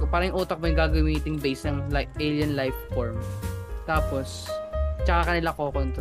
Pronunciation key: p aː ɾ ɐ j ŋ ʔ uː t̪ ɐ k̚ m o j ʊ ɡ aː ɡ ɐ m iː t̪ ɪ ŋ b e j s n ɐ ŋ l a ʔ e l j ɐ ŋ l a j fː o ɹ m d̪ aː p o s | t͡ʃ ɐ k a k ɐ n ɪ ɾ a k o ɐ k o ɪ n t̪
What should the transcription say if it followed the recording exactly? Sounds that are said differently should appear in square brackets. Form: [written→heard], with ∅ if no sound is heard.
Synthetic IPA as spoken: p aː ɾ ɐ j ŋ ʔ uː t̪ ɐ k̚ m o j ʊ ɡ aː ɡ ɐ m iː t̪ ɪ ŋ b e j s n ɐ ŋ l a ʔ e l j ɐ [ŋ→n] l a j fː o ɹ m [d̪→t̪] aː p o s | t͡ʃ ɐ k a k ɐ n ɪ [ɾ→l] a k o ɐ k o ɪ n t̪